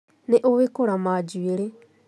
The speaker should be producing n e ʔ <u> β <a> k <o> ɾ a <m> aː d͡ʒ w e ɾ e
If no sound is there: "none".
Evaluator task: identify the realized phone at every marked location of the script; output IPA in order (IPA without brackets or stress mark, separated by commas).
o, e, o, m